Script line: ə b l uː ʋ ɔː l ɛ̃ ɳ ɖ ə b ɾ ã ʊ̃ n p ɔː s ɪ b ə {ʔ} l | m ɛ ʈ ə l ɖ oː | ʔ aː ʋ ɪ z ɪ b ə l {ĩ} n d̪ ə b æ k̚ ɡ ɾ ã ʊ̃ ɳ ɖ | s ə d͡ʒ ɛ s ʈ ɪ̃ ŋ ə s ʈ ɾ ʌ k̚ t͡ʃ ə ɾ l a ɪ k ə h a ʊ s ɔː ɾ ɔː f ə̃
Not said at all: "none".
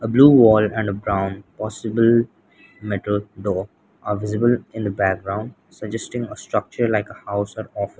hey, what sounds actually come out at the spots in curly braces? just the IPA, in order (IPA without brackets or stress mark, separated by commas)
none, ɪ̃